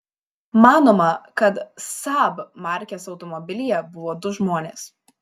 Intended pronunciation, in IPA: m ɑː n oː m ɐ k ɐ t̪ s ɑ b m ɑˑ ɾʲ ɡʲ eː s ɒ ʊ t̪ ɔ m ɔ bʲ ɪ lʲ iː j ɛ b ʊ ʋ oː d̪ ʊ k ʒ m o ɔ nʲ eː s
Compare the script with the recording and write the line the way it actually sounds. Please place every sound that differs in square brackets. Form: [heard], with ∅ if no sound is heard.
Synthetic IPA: m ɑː n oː m ɐ k ɐ t̪ s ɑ b m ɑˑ ɾʲ [kʲ] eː s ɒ ʊ t̪ ɔ m ɔ bʲ ɪ lʲ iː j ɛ b ʊ ʋ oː d̪ ʊ [∅] ʒ m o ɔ nʲ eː s